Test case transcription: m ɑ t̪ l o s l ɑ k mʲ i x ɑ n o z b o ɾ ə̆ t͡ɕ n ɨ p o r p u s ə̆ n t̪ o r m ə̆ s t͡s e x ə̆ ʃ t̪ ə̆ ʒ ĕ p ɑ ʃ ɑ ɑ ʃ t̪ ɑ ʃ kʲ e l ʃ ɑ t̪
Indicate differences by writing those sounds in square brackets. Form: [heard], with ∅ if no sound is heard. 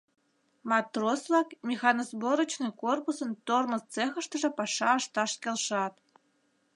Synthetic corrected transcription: m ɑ t̪ [r] o s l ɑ k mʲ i x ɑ n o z b o ɾ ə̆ t͡ɕ n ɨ [k] o r p u s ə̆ n t̪ o r m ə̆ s t͡s e x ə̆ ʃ t̪ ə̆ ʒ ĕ p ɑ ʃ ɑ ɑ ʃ t̪ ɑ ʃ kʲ e l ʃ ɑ t̪